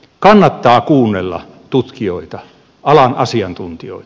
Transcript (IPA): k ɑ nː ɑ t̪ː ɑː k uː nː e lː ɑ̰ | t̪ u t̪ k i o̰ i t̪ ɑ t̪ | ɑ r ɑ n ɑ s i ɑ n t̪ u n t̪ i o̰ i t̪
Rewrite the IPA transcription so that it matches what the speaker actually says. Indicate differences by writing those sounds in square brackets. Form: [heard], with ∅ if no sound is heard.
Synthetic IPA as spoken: k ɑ nː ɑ t̪ː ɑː k uː nː e lː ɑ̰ | t̪ u t̪ k i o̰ i t̪ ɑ [∅] | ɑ [l] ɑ n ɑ s i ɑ n t̪ u n t̪ i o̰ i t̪

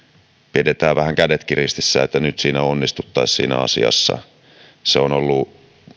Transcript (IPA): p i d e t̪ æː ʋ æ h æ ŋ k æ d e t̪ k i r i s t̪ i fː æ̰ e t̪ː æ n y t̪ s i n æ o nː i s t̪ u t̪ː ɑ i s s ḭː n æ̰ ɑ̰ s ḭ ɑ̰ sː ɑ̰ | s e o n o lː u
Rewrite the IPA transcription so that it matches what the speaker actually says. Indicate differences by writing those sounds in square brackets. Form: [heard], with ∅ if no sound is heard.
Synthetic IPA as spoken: p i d e t̪ æː ʋ æ h æ ŋ k æ d e t̪ k i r i s t̪ i [sː] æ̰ e t̪ː æ n y t̪ s [iː] n æ o nː i s t̪ u t̪ː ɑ i s s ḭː n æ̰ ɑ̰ s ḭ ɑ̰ sː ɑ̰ | s e o n o lː u

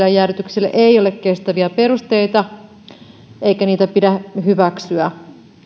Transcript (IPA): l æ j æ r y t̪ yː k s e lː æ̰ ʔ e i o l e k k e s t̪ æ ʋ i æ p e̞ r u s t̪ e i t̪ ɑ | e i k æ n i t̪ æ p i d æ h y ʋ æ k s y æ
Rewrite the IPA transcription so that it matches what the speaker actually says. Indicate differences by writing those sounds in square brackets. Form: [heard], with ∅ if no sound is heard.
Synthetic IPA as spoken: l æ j æ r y t̪ [y] k s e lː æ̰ ʔ e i o l e k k e s t̪ æ ʋ i æ p e̞ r u s t̪ e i t̪ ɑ | e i k æ n [iː] t̪ æ p i d æ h y ʋ æ k s y æ

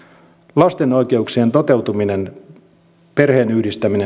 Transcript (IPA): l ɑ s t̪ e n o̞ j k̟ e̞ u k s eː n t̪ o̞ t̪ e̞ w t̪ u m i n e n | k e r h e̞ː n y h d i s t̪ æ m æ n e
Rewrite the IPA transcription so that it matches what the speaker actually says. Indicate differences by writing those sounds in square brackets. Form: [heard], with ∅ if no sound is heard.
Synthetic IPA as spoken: l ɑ s t̪ e n o̞ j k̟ e̞ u k s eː n t̪ o̞ t̪ e̞ w t̪ u m i n e n | [p] e r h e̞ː n y h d i s t̪ æ m [i] n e

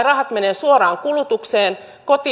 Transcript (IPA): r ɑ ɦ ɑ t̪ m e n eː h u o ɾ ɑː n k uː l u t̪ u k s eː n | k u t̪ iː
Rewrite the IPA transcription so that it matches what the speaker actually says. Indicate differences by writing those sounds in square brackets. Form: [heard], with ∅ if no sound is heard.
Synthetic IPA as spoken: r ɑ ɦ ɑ t̪ m e n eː [s] u o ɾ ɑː [ŋ] k [u] l u t̪ u k s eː n | k [o] t̪ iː

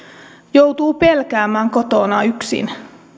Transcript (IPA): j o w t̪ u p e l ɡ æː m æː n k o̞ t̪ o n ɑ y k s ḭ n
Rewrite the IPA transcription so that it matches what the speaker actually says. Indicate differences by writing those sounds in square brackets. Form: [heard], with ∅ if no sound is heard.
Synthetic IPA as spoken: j o w t̪ [uː] p e l [k] æː m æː [ŋ] k o̞ t̪ o n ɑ y k s ḭ n

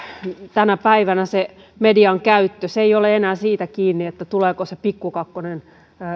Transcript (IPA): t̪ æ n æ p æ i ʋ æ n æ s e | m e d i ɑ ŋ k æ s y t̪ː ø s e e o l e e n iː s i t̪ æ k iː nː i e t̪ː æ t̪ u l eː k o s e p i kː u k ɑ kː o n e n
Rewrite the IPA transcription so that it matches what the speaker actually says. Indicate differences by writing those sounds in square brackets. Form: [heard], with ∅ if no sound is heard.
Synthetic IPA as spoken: t̪ æ n æ p æ i ʋ æ n æ s e | m e d i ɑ ŋ k æ [∅] y t̪ː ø s e [i] o l e e n [æː] s [iː] t̪ æ k iː nː i e t̪ː æ t̪ u l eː k o s e p i kː u k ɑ kː o n e n

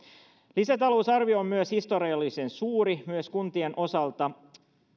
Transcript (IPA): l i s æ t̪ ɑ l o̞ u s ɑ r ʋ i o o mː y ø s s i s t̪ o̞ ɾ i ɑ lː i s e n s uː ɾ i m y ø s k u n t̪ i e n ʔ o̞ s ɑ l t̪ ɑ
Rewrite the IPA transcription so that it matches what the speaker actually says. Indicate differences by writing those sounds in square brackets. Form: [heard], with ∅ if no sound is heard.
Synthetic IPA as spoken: l i s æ t̪ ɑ l o̞ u s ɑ r ʋ i o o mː y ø s [h] i s t̪ o̞ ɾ i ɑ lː i s e n s uː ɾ i m y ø s k u n t̪ i e n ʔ o̞ s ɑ l t̪ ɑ

